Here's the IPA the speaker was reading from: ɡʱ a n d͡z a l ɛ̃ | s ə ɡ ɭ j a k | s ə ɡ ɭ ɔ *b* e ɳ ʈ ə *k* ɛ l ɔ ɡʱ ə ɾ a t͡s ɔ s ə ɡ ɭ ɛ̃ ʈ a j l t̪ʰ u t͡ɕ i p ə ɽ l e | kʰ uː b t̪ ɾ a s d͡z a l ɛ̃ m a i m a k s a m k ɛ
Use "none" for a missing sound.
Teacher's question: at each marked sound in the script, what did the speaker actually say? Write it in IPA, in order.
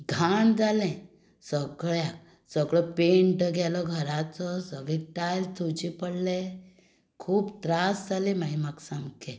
p, ɡ

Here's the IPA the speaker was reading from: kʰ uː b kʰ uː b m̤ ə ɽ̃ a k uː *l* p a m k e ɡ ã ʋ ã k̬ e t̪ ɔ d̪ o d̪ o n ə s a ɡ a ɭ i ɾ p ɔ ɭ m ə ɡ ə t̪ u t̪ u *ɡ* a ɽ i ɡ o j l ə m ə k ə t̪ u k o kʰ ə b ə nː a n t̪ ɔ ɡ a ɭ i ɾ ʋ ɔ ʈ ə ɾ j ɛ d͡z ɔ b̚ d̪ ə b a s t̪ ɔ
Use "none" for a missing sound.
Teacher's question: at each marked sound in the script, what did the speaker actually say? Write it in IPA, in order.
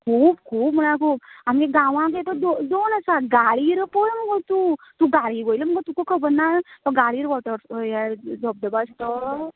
none, ɡ

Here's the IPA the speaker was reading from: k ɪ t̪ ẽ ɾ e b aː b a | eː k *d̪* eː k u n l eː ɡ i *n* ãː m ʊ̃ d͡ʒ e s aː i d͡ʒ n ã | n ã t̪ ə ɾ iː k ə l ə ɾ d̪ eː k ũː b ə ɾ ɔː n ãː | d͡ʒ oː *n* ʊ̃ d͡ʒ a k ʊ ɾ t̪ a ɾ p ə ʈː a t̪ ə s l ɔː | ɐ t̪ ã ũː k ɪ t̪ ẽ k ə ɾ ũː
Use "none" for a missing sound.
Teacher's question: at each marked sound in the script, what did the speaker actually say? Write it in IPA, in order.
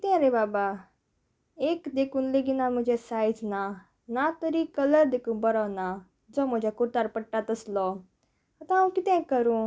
d̪, n, m

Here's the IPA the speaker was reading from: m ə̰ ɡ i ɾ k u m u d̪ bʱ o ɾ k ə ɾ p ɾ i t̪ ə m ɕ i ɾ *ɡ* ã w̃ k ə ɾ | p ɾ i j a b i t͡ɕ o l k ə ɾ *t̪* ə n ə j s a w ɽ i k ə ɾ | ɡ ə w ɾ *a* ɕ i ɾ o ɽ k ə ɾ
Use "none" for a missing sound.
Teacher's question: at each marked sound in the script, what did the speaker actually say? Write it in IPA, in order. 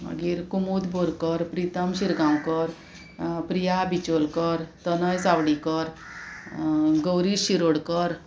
ɡ, t̪, i

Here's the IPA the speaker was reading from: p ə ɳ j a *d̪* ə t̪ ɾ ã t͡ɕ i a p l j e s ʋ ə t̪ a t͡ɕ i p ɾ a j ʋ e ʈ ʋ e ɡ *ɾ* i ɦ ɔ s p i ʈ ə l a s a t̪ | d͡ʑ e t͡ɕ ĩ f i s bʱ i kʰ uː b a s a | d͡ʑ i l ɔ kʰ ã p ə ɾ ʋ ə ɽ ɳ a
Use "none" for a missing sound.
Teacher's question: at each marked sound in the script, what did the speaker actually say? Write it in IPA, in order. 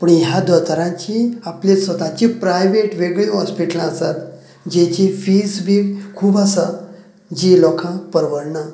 d̪, ɭ

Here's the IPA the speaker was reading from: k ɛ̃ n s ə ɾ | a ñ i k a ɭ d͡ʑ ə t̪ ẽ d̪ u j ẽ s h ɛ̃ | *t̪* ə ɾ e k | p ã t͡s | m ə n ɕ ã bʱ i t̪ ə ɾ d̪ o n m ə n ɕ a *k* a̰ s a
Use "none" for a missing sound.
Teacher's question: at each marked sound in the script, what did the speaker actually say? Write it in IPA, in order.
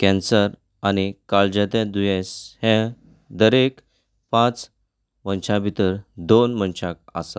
d̪, k

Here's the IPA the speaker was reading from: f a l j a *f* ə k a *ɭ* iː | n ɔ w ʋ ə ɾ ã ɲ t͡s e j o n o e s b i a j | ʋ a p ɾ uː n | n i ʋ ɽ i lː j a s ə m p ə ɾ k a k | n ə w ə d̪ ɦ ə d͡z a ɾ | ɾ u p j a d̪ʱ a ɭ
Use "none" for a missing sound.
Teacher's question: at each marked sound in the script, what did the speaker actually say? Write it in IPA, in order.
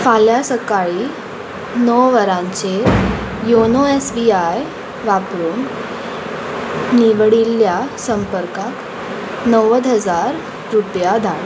s, ɭ

